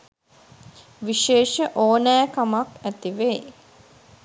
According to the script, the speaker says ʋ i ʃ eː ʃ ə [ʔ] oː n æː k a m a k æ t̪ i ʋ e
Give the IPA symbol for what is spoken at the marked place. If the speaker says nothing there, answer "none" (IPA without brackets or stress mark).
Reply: ʔ